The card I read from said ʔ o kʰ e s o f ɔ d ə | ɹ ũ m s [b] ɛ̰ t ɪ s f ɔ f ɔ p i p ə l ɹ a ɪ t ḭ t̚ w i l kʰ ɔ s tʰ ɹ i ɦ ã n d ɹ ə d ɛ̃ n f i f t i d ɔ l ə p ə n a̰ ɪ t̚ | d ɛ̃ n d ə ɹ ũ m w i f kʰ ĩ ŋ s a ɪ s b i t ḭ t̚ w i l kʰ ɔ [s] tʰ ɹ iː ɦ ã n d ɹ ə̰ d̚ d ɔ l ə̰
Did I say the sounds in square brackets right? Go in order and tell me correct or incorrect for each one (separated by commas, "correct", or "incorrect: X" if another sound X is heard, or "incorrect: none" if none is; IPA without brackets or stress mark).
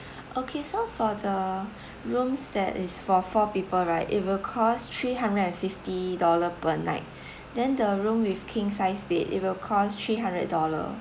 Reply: incorrect: d, correct